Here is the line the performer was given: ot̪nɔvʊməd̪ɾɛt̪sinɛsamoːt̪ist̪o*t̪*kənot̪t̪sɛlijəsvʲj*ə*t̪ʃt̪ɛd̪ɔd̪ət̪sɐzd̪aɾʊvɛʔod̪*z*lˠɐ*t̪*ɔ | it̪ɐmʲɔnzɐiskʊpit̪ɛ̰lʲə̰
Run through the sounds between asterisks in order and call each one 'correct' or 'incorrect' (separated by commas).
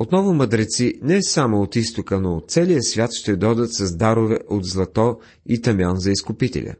incorrect, incorrect, correct, correct